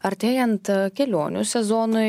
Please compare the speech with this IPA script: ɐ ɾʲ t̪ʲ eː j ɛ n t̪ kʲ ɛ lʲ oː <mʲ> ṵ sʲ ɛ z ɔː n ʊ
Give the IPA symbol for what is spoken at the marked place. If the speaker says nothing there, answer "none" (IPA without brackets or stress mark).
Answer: nʲ